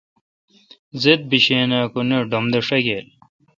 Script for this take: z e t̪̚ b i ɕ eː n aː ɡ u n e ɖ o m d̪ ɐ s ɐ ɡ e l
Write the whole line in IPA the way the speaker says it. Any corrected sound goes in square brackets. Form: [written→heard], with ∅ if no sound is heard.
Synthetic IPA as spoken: z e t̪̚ b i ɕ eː n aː [ɡ→k] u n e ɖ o m d̪ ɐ [s→ʂ] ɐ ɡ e l

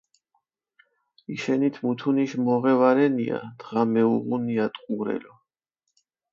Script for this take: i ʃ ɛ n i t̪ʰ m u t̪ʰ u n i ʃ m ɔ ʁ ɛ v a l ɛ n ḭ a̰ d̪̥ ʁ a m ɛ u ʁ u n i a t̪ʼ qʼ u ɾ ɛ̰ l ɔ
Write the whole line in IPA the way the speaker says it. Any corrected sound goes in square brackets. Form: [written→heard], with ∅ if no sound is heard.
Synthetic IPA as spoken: i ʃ ɛ n i t̪ʰ m u t̪ʰ u n i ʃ m ɔ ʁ ɛ v a [l→ɾ] ɛ n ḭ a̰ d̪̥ ʁ a m ɛ u ʁ u n i a t̪ʼ qʼ u ɾ ɛ̰ l ɔ

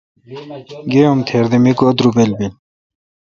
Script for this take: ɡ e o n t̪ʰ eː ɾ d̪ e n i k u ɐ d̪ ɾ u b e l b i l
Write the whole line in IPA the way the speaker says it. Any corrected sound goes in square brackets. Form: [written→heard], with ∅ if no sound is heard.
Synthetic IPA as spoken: ɡ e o [n→m] t̪ʰ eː ɾ d̪ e [n→m] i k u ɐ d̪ ɾ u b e l b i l

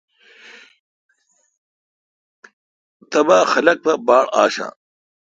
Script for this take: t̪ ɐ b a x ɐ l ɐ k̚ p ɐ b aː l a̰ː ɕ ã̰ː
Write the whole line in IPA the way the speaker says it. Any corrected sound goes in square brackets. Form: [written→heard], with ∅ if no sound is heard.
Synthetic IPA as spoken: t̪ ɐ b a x ɐ l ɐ k̚ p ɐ b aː [l→ɽ] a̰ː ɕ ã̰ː

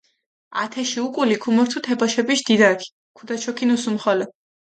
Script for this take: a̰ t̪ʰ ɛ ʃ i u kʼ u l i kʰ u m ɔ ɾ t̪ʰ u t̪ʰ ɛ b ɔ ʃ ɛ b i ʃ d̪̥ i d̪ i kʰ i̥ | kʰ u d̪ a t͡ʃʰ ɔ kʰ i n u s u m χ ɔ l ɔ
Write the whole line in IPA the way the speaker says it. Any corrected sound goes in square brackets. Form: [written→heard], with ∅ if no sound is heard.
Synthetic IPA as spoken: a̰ t̪ʰ ɛ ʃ i u kʼ u l i kʰ u m ɔ ɾ t̪ʰ u t̪ʰ ɛ b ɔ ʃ ɛ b i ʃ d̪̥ i d̪ [i→a] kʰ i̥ | kʰ u d̪ a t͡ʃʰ ɔ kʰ i n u s u m χ ɔ l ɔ

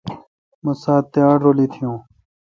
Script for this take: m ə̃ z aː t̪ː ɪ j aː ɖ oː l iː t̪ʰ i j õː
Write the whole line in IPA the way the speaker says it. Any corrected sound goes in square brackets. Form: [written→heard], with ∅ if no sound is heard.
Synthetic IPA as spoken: m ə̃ [z→s] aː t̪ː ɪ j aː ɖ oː l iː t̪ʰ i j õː

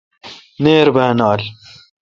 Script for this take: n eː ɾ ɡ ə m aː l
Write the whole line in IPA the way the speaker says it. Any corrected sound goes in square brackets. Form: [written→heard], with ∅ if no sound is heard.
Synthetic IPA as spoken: n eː ɾ [ɡ→b] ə [m→n] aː l

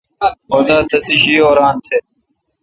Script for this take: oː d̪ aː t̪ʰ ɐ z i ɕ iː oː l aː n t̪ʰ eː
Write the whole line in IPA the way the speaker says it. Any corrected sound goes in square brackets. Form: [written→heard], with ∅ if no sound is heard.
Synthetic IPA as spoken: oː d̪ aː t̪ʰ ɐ [z→s] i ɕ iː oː [l→ɾ] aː n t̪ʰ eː

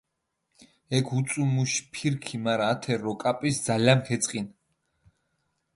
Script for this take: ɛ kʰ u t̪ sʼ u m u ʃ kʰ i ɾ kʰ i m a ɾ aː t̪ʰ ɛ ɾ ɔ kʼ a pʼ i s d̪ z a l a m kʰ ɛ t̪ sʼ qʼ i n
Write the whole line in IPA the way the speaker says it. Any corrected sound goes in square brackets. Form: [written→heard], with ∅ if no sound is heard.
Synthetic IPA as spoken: ɛ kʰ u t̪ sʼ u m u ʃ [kʰ→pʰ] i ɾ kʰ i m a ɾ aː t̪ʰ ɛ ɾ ɔ kʼ a pʼ i s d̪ z a l a m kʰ ɛ t̪ sʼ qʼ i n

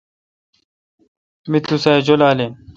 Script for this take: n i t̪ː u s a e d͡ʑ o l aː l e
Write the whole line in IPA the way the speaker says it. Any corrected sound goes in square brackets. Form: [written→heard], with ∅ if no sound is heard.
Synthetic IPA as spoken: [n→m] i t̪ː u s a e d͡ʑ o l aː l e

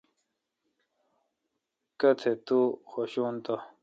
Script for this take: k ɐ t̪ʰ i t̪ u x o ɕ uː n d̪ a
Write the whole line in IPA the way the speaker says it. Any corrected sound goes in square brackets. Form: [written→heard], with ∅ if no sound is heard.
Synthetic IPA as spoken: k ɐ t̪ʰ [i→e] t̪ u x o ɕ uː n [d̪→t̪] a

